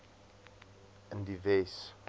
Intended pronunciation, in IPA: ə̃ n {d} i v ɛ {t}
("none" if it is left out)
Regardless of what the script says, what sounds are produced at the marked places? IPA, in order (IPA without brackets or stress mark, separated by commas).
d, s